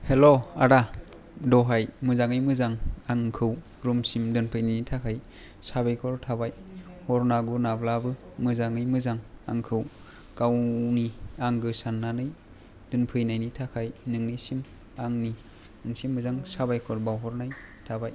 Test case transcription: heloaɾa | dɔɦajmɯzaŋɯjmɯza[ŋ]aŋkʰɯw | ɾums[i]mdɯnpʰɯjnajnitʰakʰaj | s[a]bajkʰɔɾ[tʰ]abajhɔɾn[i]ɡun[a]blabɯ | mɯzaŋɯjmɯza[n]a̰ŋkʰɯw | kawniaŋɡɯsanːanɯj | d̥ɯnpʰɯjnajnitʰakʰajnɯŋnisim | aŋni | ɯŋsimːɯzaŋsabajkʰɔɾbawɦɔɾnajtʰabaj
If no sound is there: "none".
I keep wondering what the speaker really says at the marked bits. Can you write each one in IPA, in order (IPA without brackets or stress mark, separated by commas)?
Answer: ŋ, i, a, tʰ, a, a, ŋ